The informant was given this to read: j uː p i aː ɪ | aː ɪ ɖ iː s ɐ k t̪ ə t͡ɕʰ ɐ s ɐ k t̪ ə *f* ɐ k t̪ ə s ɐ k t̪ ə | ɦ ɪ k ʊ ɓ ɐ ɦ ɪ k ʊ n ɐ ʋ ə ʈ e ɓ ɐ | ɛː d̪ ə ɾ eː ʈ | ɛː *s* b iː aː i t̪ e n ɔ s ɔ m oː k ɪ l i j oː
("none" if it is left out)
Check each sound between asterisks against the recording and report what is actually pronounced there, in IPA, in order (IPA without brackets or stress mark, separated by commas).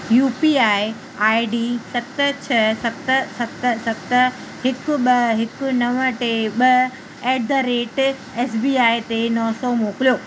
s, s